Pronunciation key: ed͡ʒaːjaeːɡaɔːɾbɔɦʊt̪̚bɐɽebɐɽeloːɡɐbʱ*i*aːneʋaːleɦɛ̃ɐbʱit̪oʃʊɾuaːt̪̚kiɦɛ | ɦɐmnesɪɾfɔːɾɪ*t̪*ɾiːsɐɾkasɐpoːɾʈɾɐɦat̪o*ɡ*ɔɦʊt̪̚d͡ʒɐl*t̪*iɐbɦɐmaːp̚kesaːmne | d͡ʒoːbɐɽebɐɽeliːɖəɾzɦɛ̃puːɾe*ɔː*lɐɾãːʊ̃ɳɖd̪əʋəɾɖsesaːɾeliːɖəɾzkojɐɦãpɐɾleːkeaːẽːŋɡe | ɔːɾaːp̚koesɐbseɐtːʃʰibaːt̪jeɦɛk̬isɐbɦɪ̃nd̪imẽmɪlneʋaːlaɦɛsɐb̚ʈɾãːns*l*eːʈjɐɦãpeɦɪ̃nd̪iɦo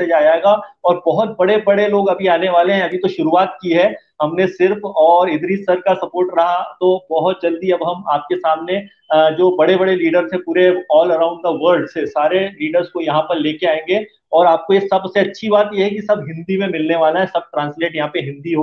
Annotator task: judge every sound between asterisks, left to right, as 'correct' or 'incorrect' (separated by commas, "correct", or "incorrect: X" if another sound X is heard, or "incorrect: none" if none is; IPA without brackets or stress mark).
correct, incorrect: d̪, incorrect: b, incorrect: d̪, correct, correct